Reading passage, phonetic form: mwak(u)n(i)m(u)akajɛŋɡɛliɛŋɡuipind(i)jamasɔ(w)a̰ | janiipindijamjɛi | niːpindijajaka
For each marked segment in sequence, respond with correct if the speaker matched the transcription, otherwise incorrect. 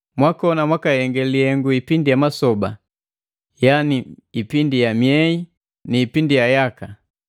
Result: incorrect, incorrect, incorrect, correct, incorrect

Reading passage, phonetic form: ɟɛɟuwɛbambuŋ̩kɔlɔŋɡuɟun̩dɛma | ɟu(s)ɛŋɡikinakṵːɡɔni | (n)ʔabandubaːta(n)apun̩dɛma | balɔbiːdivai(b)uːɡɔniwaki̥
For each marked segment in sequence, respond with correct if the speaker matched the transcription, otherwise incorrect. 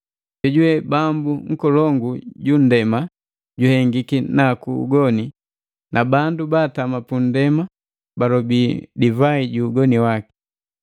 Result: incorrect, correct, incorrect, incorrect

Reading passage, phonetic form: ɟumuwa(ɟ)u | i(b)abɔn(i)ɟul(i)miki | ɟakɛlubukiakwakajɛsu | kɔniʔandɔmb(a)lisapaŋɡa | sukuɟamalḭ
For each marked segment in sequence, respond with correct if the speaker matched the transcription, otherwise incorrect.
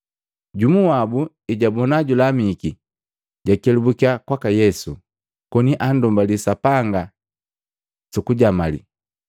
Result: incorrect, incorrect, incorrect, incorrect, correct

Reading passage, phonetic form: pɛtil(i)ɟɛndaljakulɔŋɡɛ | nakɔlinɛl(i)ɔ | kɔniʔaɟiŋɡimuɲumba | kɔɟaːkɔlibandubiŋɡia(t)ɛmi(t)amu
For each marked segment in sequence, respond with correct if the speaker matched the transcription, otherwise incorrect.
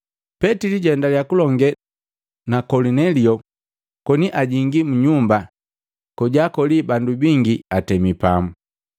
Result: correct, correct, correct, incorrect

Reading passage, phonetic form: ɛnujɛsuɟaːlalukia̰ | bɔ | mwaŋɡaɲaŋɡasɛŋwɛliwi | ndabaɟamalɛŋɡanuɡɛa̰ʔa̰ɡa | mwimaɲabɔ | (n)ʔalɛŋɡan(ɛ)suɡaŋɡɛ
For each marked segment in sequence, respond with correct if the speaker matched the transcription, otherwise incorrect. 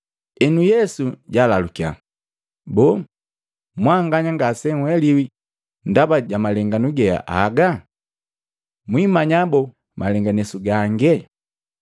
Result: incorrect, correct

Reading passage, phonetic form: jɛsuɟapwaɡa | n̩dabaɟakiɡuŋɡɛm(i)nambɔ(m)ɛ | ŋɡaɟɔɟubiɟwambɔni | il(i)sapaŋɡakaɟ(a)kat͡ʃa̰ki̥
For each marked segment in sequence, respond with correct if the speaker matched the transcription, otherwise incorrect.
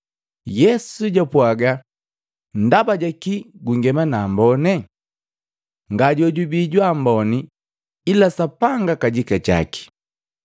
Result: incorrect, incorrect, incorrect, incorrect

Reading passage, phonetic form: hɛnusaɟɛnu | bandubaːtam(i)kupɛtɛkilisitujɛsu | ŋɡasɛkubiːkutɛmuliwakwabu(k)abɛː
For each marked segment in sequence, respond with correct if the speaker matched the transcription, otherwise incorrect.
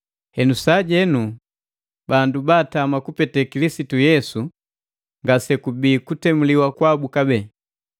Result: incorrect, correct

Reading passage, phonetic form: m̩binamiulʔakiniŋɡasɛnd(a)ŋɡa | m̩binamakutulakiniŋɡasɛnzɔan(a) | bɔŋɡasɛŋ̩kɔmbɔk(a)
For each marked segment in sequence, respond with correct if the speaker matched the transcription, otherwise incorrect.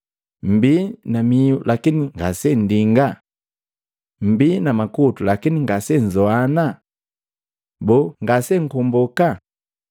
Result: incorrect, correct, correct

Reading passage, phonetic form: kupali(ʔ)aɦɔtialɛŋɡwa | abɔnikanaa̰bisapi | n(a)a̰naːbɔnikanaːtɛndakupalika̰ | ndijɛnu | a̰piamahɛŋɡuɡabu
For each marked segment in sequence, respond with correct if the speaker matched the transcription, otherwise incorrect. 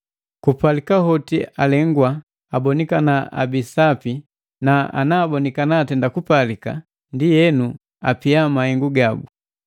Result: incorrect, correct

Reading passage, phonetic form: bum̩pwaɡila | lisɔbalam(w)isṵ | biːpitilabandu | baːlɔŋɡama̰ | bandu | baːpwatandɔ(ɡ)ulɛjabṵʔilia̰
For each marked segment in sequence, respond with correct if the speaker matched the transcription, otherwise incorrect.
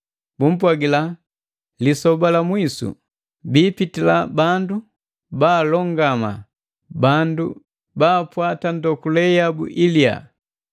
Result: correct, incorrect

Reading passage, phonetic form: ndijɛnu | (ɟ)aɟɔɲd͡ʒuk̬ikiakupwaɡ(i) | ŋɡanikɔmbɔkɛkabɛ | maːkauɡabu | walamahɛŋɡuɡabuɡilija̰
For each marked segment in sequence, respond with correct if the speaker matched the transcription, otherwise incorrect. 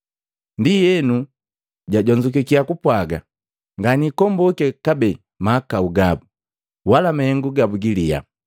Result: correct, incorrect

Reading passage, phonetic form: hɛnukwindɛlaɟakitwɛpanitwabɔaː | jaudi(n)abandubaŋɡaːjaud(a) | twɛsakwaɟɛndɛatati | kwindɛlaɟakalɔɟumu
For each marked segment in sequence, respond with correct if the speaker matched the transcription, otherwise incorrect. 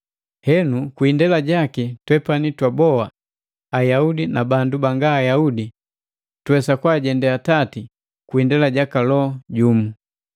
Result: correct, incorrect

